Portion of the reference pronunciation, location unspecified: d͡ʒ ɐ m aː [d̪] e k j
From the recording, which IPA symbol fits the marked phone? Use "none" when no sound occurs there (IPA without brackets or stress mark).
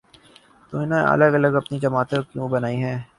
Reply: t̪